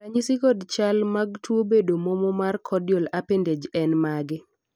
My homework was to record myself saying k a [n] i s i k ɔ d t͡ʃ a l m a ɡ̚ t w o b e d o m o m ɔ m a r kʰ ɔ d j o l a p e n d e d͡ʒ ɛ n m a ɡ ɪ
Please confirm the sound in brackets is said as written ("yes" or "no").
no